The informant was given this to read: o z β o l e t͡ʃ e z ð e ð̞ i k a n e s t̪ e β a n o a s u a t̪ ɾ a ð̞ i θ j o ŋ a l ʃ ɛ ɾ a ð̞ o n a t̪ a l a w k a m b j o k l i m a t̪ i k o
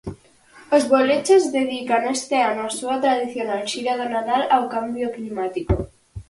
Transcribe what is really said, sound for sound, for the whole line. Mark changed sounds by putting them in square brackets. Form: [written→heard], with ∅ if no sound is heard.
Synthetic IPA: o z β o l e t͡ʃ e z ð e ð̞ i k a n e s t̪ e [β→∅] a n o a s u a t̪ ɾ a ð̞ i θ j o [ŋ→n] a l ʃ [ɛ→i] ɾ a ð̞ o n a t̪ a l a w k a m b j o k l i m a t̪ i k o